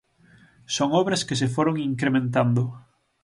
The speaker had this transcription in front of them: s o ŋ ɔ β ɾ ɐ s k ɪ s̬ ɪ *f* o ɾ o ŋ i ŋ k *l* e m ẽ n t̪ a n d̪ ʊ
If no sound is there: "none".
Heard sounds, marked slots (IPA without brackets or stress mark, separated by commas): f, ɾ